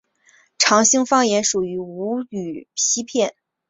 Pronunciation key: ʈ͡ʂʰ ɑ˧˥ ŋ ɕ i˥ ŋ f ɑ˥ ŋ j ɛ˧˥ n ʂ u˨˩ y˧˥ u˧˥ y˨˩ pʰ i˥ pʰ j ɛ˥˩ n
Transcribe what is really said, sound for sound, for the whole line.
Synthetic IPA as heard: ʈ͡ʂʰ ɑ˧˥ ŋ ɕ i˥ ŋ f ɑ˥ ŋ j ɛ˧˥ n ʂ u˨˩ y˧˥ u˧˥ y˨˩ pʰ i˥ pʰ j ɛ˥˩ n